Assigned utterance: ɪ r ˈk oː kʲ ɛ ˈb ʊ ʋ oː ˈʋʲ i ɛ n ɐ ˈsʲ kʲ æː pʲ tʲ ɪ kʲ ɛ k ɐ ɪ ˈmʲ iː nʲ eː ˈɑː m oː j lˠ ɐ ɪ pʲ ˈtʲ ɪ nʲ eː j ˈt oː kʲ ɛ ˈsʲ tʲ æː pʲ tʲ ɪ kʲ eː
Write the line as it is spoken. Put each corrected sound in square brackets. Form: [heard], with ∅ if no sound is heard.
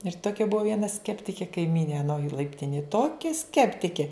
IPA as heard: ɪ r [ˈt] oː kʲ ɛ ˈb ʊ ʋ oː ˈʋʲ i ɛ n ɐ ˈsʲ kʲ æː pʲ tʲ ɪ kʲ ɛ k ɐ ɪ ˈmʲ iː nʲ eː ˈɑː [n] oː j lˠ ɐ ɪ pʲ ˈtʲ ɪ nʲ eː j ˈt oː kʲ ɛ ˈsʲ [kʲ] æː pʲ tʲ ɪ kʲ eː